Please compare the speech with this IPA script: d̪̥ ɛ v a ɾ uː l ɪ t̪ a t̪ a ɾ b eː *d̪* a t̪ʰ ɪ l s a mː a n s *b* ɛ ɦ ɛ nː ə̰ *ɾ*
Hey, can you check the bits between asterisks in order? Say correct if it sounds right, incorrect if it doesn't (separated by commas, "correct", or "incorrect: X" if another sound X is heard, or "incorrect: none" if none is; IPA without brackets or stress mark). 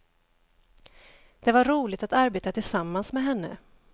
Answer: incorrect: t̪, incorrect: m, incorrect: none